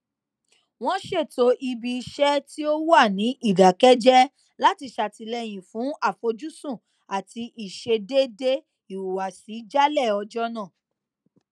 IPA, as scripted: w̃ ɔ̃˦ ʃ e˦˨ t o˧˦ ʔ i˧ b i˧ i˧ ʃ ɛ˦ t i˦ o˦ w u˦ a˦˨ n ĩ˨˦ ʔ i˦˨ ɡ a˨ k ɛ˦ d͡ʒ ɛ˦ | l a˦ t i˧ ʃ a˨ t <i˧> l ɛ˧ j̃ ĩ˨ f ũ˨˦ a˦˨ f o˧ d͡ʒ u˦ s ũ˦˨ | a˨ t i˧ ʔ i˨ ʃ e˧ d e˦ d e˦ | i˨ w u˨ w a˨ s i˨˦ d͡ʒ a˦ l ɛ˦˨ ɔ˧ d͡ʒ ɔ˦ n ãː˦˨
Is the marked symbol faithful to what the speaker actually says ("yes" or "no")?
yes